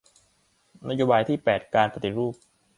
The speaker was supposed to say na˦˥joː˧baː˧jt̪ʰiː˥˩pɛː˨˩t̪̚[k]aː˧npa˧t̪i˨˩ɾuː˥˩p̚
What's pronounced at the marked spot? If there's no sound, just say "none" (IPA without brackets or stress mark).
k